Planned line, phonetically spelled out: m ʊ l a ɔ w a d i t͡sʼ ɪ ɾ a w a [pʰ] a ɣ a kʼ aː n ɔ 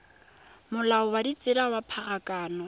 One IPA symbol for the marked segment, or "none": pʰ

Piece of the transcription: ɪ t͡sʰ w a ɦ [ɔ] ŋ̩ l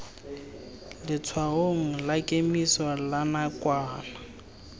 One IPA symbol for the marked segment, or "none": o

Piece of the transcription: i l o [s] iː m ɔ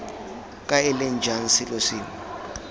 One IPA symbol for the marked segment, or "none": s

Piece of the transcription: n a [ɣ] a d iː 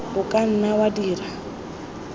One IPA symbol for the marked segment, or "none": w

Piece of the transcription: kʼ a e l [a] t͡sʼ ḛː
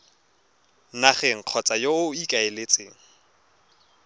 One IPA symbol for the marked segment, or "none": e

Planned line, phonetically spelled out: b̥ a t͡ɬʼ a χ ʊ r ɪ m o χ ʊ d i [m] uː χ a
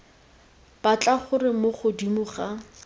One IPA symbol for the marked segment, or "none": m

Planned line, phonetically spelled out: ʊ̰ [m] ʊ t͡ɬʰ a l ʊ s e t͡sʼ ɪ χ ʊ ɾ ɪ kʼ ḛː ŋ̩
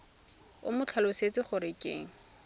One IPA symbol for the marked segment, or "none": m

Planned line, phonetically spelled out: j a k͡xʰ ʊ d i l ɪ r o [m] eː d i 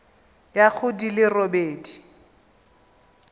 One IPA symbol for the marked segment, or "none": b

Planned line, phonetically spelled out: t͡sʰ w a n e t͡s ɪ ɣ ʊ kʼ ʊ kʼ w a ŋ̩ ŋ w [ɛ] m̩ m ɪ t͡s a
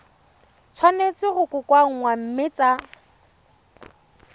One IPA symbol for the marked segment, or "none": a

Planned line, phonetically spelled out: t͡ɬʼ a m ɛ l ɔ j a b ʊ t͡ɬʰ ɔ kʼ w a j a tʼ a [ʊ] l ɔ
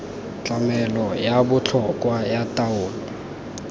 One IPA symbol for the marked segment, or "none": ʊː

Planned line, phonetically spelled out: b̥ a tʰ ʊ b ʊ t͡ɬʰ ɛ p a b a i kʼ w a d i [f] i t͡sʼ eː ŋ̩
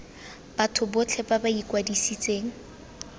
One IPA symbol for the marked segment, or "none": s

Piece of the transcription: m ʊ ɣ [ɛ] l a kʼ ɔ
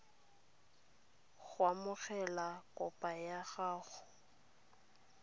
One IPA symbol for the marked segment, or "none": ɛ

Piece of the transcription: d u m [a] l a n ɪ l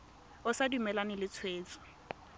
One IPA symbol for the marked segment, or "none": ɛ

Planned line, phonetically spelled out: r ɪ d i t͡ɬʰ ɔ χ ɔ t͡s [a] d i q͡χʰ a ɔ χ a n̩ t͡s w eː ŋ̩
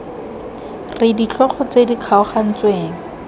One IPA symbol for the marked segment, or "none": e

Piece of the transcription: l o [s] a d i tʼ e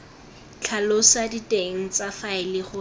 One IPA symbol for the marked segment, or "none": s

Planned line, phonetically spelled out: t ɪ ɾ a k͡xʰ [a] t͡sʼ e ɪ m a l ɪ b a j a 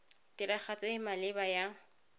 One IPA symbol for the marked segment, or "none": a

